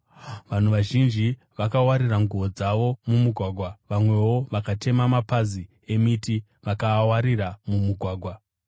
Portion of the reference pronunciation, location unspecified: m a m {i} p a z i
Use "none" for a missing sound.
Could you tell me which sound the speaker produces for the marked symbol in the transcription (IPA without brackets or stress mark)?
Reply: a